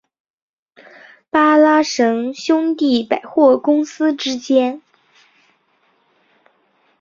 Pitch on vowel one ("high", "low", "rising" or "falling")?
high